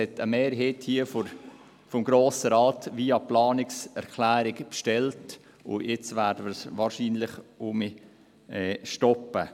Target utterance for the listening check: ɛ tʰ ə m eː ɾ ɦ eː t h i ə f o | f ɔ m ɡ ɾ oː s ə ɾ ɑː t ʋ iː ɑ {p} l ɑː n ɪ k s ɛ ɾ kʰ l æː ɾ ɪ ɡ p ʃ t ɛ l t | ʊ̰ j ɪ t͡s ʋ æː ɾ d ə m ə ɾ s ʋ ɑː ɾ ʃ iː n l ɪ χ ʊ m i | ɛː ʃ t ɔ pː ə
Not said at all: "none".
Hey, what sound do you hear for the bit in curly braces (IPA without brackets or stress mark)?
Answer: p